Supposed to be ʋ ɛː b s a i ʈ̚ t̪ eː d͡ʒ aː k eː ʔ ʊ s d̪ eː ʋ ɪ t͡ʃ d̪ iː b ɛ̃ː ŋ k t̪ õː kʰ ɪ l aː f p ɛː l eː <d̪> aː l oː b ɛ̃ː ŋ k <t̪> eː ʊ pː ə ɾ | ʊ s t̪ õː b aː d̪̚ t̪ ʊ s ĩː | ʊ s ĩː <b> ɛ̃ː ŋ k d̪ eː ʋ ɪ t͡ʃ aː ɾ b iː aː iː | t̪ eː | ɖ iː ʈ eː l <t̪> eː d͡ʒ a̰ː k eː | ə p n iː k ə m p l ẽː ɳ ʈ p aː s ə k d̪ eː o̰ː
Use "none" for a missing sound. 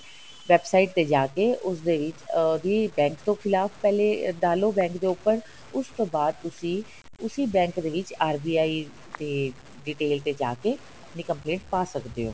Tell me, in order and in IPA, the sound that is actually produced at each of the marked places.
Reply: d̪, d̪, b, t̪

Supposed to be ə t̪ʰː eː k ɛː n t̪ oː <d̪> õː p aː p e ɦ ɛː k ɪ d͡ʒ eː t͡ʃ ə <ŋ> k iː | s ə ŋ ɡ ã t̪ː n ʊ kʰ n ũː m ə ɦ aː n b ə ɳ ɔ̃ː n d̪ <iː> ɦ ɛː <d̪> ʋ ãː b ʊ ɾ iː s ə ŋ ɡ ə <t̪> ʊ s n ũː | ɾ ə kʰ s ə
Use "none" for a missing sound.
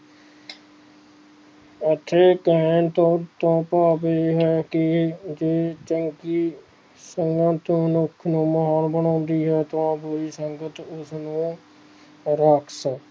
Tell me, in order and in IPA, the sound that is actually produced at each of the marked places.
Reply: t̪, ŋ, iː, t̪, t̪

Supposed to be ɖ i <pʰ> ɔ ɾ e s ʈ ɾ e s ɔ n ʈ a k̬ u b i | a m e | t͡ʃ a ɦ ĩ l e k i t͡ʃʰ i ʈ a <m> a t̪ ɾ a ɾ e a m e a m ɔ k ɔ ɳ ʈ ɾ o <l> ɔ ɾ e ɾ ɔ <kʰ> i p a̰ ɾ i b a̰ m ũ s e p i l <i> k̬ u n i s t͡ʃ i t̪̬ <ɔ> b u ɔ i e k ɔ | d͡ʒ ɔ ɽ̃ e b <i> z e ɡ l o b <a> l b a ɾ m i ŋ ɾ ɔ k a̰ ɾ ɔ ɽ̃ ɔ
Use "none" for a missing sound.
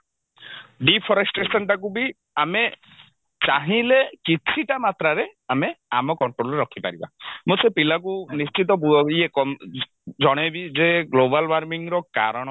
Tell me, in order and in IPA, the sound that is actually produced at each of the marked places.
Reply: pʰ, m, l, kʰ, a, ɔ, i, a

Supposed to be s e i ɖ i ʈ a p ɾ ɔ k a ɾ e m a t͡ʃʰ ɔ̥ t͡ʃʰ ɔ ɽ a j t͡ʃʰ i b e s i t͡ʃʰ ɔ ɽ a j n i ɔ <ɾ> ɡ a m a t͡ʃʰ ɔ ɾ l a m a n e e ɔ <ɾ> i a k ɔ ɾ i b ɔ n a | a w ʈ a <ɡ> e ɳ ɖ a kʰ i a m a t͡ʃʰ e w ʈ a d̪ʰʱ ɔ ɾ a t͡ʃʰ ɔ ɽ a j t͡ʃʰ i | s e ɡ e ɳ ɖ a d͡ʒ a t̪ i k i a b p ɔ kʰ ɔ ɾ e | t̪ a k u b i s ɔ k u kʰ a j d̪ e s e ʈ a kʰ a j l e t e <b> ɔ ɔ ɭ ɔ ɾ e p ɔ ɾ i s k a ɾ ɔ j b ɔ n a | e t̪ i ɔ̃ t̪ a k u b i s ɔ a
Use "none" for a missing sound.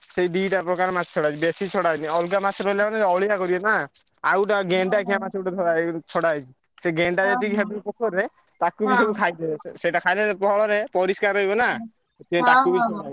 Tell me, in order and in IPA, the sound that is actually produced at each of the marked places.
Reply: l, ɭ, ɡ, p

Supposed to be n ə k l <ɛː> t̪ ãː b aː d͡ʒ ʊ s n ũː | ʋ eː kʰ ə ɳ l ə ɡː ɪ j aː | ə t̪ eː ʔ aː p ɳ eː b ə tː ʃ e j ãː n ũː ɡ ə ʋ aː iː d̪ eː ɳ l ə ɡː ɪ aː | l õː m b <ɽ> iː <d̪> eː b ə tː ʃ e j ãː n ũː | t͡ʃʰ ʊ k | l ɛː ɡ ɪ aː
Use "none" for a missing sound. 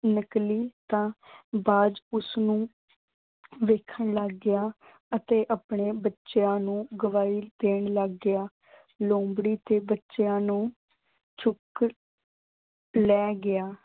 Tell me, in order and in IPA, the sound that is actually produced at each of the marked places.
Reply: iː, ɽ, t̪

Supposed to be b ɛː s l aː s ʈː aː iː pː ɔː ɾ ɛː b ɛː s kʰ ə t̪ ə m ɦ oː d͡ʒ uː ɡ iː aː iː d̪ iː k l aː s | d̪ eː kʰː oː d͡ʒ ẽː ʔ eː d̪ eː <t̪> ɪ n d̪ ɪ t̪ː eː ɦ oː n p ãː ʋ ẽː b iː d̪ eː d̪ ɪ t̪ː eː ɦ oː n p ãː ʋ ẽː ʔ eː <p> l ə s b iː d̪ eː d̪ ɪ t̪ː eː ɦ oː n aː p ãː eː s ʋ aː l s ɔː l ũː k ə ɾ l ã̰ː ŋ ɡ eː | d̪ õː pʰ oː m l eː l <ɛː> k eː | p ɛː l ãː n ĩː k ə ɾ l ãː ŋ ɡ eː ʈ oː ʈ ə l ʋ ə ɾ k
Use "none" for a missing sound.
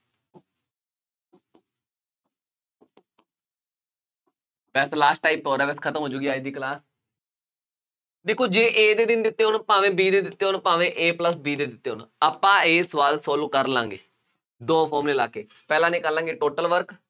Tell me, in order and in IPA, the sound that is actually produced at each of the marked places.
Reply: d̪, p, aː

